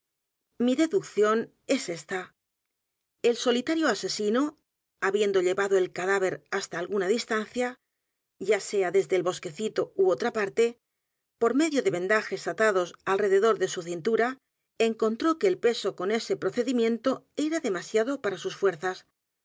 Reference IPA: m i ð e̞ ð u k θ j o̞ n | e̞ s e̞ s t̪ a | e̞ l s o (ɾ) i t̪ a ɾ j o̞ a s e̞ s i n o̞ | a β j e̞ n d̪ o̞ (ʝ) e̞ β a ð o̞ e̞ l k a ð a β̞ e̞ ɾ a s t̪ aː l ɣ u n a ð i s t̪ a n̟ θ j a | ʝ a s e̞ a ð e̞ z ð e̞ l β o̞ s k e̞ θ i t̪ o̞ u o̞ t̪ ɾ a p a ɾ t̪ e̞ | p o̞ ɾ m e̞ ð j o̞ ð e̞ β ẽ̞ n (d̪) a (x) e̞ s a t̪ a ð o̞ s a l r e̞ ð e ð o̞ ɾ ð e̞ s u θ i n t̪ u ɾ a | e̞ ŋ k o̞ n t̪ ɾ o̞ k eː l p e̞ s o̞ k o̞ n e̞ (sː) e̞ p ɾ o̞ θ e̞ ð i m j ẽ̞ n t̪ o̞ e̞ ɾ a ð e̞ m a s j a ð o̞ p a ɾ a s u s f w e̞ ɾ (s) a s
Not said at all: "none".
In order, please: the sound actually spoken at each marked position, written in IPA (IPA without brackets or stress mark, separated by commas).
l, ʎ, d̪, x, s, θ